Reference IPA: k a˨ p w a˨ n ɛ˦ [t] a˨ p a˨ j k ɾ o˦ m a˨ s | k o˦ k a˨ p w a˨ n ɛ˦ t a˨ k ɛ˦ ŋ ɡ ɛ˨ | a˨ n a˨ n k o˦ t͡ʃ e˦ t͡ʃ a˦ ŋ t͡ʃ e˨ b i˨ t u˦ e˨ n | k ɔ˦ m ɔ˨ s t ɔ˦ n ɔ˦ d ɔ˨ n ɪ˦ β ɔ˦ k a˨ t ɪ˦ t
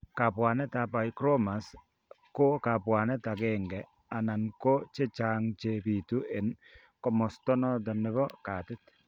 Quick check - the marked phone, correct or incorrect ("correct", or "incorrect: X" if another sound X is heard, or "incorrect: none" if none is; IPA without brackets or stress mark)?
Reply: correct